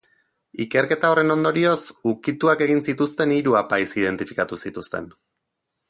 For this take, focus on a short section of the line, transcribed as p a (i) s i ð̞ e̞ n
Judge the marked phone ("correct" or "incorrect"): incorrect